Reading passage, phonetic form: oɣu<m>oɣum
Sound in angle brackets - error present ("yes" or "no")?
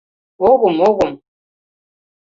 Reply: no